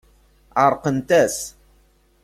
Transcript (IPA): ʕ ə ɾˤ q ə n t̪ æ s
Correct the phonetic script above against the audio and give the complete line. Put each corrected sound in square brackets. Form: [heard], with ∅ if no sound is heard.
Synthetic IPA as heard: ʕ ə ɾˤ q ə n t̪ æ s